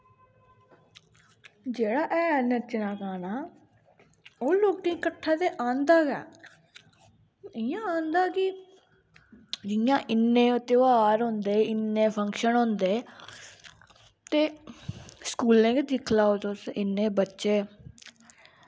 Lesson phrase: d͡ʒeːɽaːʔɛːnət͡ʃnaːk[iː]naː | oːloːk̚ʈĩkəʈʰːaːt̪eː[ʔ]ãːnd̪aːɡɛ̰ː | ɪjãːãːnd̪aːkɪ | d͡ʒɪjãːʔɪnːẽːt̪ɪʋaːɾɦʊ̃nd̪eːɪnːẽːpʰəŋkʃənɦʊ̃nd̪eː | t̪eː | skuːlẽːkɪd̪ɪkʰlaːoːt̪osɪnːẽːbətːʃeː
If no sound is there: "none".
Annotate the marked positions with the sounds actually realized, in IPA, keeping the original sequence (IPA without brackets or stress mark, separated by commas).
aː, ʔ